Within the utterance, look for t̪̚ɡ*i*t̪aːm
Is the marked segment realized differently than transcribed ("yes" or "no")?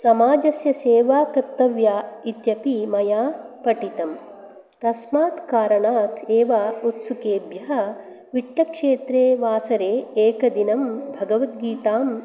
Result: yes